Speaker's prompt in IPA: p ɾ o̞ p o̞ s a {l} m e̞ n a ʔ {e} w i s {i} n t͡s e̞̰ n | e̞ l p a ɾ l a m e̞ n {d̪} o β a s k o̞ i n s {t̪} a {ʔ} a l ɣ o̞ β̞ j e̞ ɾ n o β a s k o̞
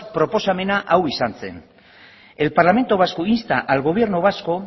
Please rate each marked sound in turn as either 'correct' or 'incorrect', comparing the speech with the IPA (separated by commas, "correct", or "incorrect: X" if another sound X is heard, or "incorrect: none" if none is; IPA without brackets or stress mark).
incorrect: none, incorrect: a, incorrect: a, incorrect: t̪, correct, correct